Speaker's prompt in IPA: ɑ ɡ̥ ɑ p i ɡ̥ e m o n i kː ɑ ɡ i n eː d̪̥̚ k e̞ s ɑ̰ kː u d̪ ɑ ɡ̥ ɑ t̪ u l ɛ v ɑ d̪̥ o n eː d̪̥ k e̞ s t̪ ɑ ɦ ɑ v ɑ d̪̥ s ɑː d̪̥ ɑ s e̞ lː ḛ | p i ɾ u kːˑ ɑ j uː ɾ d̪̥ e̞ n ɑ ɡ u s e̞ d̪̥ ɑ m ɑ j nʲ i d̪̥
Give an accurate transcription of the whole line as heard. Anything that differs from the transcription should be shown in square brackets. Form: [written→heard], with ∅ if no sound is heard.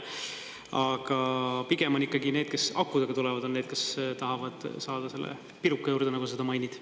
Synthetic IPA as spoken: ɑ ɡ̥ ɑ p i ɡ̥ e m o n i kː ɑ ɡ i n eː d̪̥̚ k e̞ s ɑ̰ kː u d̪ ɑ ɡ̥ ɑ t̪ u l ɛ v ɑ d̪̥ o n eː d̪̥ k e̞ s t̪ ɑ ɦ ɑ v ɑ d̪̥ s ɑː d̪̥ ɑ s e̞ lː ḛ | p i ɾ u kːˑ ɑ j uː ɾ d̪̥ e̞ n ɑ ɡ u s e̞ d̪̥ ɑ m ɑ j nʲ i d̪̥

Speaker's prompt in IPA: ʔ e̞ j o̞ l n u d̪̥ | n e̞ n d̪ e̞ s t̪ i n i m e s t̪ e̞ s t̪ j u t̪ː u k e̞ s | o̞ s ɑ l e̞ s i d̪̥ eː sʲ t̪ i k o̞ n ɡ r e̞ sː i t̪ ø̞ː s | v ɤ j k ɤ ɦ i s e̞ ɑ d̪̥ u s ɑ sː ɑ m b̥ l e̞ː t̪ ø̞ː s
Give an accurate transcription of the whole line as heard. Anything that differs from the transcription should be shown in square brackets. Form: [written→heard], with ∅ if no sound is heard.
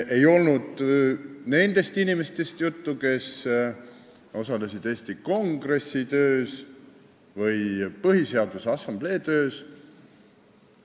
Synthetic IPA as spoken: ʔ e̞ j o̞ l n u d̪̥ | n e̞ n d̪ e̞ s t̪ i n i m e s t̪ e̞ s t̪ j u t̪ː u k e̞ s | o̞ s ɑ l e̞ s i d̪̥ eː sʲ t̪ i k o̞ [n→ŋ] ɡ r e̞ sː i t̪ ø̞ː s | v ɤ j [k→p] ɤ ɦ i s e̞ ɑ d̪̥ u s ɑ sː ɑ m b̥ l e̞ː t̪ ø̞ː s

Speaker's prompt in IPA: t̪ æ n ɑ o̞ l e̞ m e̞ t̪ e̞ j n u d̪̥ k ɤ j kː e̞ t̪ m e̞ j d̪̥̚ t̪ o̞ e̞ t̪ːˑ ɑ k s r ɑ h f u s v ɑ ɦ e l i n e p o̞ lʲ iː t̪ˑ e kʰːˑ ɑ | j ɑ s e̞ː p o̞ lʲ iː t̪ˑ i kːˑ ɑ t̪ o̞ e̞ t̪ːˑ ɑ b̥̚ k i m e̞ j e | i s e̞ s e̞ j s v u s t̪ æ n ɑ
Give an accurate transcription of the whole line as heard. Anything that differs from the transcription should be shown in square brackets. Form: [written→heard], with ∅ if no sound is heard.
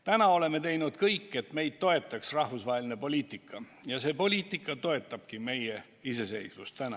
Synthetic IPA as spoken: t̪ æ n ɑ o̞ l e̞ m e̞ t̪ e̞ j n u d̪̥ k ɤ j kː e̞ t̪ m e̞ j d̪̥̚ t̪ o̞ e̞ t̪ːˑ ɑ k s r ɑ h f u s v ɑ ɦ e l i n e p o̞ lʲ iː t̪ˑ [e→i] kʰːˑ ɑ | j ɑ s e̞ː p o̞ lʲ iː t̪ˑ i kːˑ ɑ t̪ o̞ e̞ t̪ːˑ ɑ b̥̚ k i m e̞ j e | i s e̞ s e̞ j s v u s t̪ æ n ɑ

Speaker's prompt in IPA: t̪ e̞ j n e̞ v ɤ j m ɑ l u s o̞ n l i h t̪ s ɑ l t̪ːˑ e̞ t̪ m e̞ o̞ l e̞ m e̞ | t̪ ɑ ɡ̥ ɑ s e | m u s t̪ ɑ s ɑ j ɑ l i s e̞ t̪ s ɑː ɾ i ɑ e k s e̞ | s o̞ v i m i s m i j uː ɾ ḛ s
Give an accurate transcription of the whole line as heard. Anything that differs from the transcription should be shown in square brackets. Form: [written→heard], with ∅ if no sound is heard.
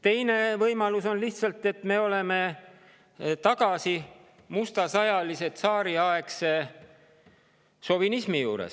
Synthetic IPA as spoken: t̪ e̞ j n e̞ v ɤ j m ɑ l u s o̞ n l i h t̪ s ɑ l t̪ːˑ e̞ t̪ m e̞ o̞ l e̞ m e̞ | t̪ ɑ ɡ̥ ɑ s [e→i] | m u s t̪ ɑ s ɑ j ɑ l i s e̞ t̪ s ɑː ɾ i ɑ e k s e̞ | s o̞ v i [m→n] i s m i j uː ɾ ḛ s

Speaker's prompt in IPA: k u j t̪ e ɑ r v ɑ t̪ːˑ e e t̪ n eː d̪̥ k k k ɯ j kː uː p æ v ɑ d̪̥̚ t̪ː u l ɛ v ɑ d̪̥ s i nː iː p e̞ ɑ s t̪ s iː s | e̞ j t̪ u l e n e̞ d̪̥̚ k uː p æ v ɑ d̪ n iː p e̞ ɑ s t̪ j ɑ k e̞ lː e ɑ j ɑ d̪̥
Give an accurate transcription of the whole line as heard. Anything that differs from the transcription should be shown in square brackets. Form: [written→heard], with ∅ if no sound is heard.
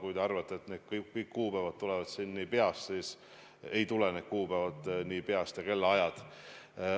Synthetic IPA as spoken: k u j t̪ e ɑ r v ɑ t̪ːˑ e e t̪ n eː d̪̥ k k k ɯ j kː uː p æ v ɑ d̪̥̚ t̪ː u l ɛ v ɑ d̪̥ s i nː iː p e̞ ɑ s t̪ s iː s | e̞ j t̪ u l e n e̞ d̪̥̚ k uː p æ v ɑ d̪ n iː p e̞ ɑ s t̪ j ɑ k e̞ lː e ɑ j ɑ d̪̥

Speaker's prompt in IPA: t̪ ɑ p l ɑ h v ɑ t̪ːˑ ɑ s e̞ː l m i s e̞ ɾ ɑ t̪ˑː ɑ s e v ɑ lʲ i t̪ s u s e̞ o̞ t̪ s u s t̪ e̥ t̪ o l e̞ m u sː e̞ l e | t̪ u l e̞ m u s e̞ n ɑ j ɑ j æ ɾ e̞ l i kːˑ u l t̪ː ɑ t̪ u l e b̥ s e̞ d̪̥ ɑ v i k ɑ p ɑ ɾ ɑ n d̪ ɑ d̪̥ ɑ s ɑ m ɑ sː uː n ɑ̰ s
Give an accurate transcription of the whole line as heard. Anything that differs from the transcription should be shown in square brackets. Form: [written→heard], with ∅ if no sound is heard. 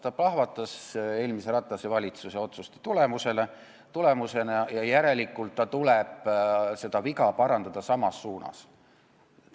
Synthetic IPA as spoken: t̪ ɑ p l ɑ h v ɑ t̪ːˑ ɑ s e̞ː l m i s e̞ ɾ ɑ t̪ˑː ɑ s e v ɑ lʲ i t̪ s u s e̞ o̞ t̪ s u s t̪ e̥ t̪ [o→u] l e̞ m u [sː→s] e̞ l e | t̪ u l e̞ m u s e̞ n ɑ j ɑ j æ ɾ e̞ l i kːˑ u l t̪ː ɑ t̪ u l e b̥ s e̞ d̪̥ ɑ v i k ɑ p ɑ ɾ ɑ n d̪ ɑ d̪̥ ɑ s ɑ m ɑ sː uː n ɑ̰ s

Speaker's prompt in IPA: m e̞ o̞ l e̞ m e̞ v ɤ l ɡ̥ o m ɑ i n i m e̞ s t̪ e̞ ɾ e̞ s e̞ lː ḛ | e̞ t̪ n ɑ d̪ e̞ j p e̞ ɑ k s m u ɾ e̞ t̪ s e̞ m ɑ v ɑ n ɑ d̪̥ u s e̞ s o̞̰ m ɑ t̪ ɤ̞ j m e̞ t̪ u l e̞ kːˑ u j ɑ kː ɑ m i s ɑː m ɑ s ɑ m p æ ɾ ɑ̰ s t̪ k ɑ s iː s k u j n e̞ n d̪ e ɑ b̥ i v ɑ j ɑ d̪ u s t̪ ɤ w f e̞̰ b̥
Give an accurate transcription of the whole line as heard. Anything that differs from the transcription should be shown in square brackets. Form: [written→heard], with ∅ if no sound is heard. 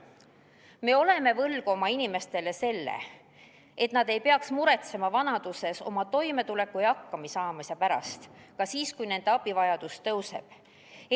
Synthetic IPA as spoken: m e̞ o̞ l e̞ m e̞ v ɤ l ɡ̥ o m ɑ i n i m e̞ s t̪ e̞ [ɾ→l] e̞ s e̞ lː ḛ | e̞ t̪ n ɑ d̪ e̞ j p e̞ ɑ k s m u ɾ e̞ t̪ s e̞ m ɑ v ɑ n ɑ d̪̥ u s e̞ s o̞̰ m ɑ t̪ [ɤ̞→o̞] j m e̞ t̪ u l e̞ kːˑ u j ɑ kː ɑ m i s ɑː m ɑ s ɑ [m→∅] p æ ɾ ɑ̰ s t̪ k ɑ s iː s k u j n e̞ n d̪ e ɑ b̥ i v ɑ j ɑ d̪ u s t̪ ɤ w [f→s] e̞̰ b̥

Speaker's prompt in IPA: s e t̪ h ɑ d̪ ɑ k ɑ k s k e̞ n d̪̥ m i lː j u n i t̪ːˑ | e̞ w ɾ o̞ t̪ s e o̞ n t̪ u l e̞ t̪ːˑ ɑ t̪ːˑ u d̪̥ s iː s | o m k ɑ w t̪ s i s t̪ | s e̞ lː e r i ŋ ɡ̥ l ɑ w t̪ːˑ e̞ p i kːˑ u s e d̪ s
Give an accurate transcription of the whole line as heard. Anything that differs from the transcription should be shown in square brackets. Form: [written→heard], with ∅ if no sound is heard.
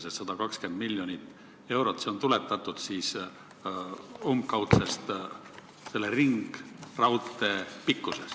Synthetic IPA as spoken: s e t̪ [h→s] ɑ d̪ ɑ k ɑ k s k e̞ n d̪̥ m i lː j [u→o] n i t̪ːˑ | e̞ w ɾ o̞ t̪ s e o̞ n t̪ u l e̞ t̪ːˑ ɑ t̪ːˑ u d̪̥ s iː s | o m k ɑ w t̪ s [i→e] s t̪ | s e̞ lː e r i ŋ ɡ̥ [l→r] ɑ w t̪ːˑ e̞ p i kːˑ u s e [d̪→∅] s

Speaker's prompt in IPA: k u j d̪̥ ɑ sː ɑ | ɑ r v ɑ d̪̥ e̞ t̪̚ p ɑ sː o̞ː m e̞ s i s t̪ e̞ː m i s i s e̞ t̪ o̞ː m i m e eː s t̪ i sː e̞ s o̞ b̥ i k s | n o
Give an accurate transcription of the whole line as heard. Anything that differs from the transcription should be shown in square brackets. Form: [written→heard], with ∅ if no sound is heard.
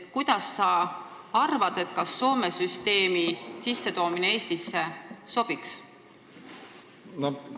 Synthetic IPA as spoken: k u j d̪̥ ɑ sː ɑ | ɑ r v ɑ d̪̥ e̞ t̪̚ [p→k] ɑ sː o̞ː m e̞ s [i→y] s t̪ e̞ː m i s i [s→sː] e̞ t̪ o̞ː m i [m→n] e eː s t̪ i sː e̞ s o̞ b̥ i k s | n o

